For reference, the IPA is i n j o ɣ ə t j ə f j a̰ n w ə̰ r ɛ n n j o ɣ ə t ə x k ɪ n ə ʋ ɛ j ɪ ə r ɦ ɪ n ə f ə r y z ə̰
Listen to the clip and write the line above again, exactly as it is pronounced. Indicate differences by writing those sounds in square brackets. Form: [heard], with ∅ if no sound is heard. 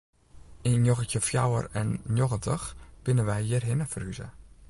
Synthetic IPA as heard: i n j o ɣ ə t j ə f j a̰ [∅] w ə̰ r ɛ n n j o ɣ ə t ə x k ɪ n ə ʋ ɛ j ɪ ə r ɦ ɪ n ə f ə r y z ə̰